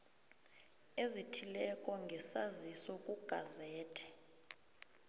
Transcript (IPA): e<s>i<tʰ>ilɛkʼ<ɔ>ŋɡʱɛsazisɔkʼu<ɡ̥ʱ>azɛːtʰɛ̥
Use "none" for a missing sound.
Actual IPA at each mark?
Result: z, tʰ, ɔ, ɡ̥ʱ

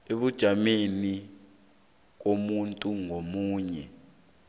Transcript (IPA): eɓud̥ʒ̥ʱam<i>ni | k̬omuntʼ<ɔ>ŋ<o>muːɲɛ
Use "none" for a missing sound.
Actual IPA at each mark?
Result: e, u, o

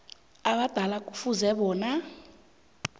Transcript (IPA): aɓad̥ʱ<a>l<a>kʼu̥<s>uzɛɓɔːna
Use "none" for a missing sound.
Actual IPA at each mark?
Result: a, a, f

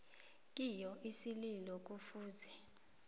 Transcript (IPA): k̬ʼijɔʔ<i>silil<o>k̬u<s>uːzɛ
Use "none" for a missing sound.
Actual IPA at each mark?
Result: i, ɔ, f

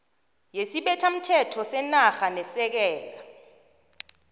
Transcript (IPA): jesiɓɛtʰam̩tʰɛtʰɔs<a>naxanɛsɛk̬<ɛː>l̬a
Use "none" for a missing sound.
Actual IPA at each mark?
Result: ɛ, ɛː

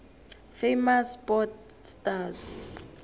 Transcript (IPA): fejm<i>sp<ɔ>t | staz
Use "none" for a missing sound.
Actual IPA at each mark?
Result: a, ɔ

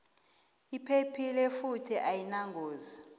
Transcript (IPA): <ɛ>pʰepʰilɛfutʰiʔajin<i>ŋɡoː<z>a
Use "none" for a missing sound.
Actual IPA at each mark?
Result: i, a, z

